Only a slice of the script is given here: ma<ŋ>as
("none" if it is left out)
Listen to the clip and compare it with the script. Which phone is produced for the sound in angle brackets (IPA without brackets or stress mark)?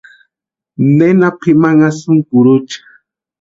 ŋ